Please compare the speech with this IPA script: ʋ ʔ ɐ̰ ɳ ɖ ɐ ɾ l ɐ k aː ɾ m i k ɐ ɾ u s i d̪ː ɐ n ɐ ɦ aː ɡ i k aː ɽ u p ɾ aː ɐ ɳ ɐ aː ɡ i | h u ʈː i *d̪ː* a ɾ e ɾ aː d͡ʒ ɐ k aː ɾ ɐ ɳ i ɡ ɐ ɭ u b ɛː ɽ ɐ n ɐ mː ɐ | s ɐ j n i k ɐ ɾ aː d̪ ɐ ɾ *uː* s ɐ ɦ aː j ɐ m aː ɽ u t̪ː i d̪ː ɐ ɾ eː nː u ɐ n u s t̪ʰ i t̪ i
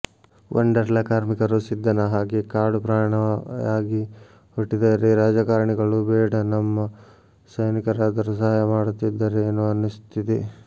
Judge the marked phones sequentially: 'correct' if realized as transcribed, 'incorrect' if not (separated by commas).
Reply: incorrect, incorrect